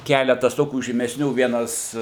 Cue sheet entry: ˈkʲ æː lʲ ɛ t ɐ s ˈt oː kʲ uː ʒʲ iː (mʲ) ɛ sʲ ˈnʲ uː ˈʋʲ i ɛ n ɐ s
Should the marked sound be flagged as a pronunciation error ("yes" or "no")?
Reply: no